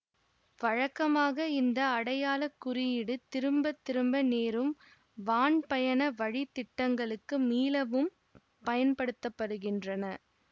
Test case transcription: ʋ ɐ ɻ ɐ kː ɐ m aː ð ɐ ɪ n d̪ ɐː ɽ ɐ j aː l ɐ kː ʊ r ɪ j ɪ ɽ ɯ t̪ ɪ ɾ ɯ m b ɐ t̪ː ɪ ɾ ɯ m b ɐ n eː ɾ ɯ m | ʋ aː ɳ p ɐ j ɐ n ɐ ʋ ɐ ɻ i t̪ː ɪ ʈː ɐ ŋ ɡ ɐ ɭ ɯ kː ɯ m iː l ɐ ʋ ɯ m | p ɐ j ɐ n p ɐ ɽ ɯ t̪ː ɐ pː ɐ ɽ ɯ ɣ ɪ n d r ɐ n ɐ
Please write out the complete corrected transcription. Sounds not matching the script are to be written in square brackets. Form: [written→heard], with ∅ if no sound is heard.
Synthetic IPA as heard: ʋ ɐ ɻ ɐ kː ɐ m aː [ð→ɣ] ɐ ɪ n d̪ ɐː ɽ ɐ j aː l ɐ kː ʊ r ɪ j ɪ ɽ ɯ t̪ ɪ ɾ ɯ m b ɐ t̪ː ɪ ɾ ɯ m b ɐ n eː ɾ ɯ m | ʋ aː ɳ p ɐ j ɐ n ɐ ʋ ɐ ɻ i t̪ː ɪ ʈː ɐ ŋ ɡ ɐ ɭ ɯ kː ɯ m iː l ɐ ʋ ɯ m | p ɐ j ɐ n p ɐ ɽ ɯ t̪ː ɐ pː ɐ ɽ ɯ ɣ ɪ n d r ɐ n ɐ